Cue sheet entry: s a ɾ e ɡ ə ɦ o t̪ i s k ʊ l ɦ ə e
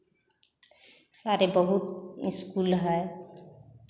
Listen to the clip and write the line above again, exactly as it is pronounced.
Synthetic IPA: s a ɾ e b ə ɦ u t̪ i s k u l ɦ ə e